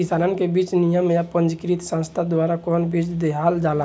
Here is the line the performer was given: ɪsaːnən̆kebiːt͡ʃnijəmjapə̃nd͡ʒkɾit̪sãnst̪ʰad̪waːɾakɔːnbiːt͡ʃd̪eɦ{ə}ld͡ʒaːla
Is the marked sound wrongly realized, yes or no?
yes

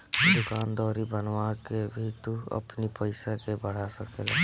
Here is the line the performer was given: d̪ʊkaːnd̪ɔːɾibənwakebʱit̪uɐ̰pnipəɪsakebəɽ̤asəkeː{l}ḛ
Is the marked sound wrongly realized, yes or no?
no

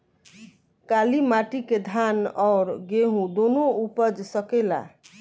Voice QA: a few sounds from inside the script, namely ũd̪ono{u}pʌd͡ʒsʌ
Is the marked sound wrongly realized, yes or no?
no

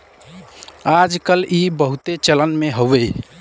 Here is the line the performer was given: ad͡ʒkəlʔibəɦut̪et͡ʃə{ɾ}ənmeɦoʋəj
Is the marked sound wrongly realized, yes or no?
yes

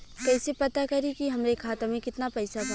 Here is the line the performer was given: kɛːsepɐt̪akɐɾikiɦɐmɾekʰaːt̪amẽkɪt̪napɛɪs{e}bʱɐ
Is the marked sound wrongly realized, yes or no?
yes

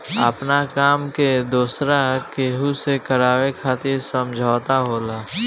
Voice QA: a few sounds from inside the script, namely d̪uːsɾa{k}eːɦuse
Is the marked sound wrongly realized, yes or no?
no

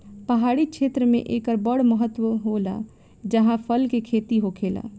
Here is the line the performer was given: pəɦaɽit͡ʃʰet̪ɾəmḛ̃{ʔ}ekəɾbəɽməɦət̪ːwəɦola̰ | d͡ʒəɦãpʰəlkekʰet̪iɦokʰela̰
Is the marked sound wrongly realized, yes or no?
no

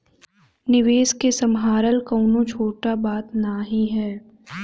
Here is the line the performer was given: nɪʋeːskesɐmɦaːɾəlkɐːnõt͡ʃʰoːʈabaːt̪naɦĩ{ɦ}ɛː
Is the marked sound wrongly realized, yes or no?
no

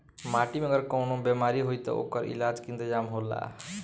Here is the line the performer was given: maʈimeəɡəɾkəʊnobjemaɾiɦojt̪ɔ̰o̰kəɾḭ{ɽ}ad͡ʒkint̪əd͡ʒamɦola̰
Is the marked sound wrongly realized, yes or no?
yes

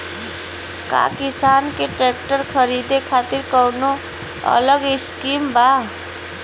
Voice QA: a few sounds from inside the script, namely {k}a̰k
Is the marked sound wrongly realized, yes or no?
no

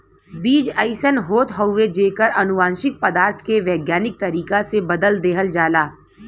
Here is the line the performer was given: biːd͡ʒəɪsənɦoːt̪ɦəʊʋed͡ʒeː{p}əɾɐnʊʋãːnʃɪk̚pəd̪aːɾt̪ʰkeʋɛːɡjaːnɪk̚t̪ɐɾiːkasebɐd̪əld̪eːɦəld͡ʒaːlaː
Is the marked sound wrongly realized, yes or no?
yes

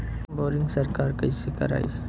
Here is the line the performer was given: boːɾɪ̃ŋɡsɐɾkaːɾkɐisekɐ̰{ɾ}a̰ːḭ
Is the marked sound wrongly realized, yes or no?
no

